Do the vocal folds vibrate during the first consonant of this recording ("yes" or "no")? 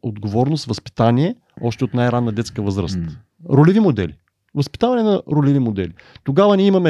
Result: yes